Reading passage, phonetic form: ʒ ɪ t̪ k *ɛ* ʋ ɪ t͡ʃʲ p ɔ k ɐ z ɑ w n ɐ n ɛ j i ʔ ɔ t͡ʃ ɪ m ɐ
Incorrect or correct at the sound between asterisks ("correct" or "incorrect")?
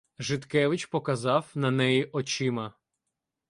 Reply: correct